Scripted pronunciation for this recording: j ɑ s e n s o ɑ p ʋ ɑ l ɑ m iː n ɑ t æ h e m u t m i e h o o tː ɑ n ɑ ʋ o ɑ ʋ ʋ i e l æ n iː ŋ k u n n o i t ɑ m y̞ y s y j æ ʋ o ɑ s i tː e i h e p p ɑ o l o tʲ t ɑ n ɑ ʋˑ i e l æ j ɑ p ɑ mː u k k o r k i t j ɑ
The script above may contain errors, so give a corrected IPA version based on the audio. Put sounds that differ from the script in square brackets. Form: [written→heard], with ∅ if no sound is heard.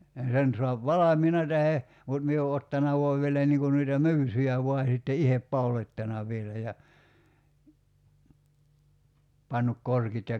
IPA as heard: j ɑ s e n s o ɑ p ʋ ɑ l ɑ m iː n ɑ t æ h e m u t m i e [h→∅] o o tː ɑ n ɑ ʋ o ɑ ʋ ʋ i e l æ n iː ŋ k u n n o i t ɑ m y̞ y s y j æ ʋ o ɑ s i tː e i h e p p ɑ [o→u] l o tʲ t ɑ n ɑ ʋˑ i e l æ j ɑ p ɑ [mː→nː] u k k o r k i t j ɑ